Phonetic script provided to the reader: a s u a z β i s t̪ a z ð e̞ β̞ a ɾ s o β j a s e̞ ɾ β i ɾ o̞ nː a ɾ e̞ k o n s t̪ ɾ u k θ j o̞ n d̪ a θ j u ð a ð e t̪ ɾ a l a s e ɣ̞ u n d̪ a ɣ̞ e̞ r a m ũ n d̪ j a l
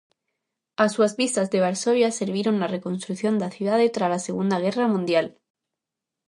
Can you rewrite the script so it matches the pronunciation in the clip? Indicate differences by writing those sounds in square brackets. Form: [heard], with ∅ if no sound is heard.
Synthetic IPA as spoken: a s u a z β i s t̪ a z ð e̞ β̞ a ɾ s o β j a s e̞ ɾ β i ɾ o̞ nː a [r] e̞ k o n s t̪ ɾ u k θ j o̞ n d̪ a θ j u ð a ð e t̪ ɾ a l a s e ɣ̞ u n d̪ a ɣ̞ e̞ r a m ũ n d̪ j a l